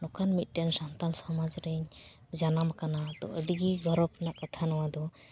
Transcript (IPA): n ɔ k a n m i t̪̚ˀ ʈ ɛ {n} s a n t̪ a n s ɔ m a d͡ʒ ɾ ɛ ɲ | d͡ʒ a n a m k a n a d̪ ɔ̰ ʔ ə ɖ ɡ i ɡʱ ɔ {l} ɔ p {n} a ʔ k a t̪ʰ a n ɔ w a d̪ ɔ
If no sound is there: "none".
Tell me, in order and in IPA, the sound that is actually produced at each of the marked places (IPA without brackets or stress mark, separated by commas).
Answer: n, ɾ, n